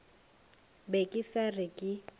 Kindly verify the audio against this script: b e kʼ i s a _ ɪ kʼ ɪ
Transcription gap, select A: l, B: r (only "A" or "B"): B